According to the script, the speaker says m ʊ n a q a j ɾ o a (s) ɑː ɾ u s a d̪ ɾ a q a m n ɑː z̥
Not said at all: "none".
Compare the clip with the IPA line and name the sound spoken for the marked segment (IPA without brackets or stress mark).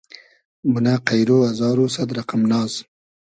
z